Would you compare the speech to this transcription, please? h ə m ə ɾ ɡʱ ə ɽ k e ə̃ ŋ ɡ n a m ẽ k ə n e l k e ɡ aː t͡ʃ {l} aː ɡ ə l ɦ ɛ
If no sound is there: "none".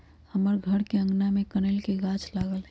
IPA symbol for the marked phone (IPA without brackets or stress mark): l